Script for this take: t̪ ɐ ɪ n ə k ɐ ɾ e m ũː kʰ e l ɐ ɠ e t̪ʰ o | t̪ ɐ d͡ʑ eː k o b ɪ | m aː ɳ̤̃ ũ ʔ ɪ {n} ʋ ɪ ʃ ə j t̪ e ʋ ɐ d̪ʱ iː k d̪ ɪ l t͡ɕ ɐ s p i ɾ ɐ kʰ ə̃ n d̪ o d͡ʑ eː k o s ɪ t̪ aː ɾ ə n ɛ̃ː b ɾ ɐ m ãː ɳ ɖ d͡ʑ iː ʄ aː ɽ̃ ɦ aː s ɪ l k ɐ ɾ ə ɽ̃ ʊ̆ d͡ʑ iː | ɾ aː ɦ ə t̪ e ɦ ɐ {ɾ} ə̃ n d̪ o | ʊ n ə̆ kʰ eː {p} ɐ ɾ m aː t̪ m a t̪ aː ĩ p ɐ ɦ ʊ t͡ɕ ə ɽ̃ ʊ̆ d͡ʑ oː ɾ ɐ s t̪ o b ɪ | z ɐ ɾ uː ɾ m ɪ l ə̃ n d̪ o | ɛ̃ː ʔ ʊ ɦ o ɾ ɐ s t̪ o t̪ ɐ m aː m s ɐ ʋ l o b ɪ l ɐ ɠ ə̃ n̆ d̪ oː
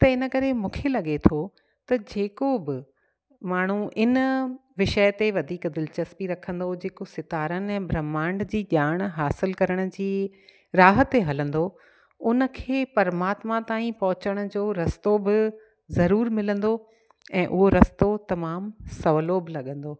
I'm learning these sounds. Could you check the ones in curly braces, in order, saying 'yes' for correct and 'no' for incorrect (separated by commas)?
yes, no, yes